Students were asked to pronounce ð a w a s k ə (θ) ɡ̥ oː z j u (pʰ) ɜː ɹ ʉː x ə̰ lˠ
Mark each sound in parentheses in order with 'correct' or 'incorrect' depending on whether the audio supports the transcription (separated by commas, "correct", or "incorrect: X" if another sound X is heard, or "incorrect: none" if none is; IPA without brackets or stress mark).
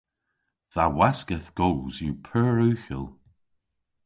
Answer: correct, correct